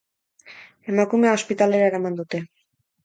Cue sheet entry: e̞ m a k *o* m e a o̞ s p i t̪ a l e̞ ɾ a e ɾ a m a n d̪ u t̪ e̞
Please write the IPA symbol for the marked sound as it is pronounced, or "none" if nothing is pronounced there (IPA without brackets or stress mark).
u